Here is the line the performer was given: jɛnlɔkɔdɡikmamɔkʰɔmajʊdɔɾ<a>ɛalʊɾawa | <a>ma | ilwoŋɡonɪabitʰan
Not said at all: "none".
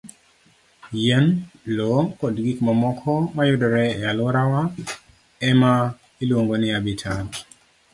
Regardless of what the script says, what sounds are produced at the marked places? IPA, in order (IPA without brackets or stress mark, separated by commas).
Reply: ɛ, ɛ